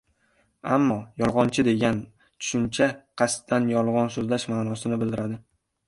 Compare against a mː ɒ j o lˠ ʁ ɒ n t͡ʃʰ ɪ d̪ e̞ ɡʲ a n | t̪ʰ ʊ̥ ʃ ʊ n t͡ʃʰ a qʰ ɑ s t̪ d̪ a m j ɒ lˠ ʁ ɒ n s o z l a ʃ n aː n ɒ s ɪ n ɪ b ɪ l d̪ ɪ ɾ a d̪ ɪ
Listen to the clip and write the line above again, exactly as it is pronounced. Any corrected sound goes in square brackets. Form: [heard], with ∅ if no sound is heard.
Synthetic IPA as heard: a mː ɒ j [ɒ] lˠ ʁ ɒ n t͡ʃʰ ɪ d̪ e̞ ɡʲ a n | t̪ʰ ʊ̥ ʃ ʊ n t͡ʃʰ a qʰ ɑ s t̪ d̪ a [n] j ɒ lˠ ʁ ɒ n s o z l a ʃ [m] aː n ɒ s ɪ n ɪ b ɪ l d̪ ɪ ɾ a d̪ ɪ